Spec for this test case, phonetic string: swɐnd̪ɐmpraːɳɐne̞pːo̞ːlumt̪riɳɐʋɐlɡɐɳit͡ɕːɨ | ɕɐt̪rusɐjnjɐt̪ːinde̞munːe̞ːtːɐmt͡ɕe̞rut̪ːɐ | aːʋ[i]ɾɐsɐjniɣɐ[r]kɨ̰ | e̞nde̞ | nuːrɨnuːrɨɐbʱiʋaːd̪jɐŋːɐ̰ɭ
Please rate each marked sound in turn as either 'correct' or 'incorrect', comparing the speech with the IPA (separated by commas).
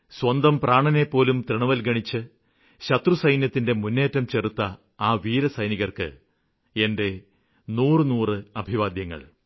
incorrect, correct